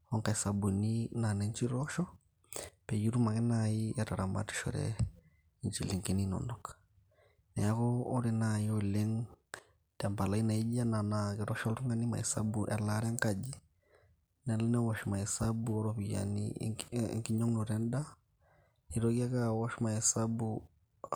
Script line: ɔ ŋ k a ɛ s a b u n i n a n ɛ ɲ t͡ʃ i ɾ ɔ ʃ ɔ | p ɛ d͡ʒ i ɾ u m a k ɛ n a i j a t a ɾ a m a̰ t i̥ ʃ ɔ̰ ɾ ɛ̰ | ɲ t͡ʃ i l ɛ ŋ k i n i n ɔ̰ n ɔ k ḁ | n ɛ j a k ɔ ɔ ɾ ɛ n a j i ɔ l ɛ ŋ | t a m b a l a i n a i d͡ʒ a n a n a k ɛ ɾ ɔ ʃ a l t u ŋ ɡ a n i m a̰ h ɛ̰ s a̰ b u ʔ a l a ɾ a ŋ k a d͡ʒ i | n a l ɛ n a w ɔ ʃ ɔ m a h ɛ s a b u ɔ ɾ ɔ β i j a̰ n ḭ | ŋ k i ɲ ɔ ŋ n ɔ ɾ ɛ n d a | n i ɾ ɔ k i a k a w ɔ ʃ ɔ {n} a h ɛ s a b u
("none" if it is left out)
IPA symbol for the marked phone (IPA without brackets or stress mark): m